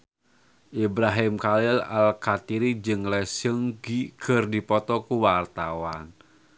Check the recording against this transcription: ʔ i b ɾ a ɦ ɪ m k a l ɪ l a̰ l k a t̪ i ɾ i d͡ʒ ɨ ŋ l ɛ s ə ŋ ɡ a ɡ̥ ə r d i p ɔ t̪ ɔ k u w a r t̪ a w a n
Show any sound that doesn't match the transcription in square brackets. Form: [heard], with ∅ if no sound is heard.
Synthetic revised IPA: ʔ i b ɾ a ɦ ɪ m k a l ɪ l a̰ l k a t̪ i ɾ i d͡ʒ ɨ ŋ l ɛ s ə ŋ ɡ [i] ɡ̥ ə r d i p ɔ t̪ ɔ k u w a r t̪ a w a n